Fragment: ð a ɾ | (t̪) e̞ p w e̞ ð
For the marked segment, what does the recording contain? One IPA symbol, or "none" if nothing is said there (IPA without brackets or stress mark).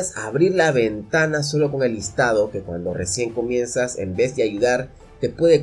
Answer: t̪